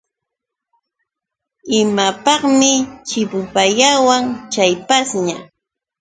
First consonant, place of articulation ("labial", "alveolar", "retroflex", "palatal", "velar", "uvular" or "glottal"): labial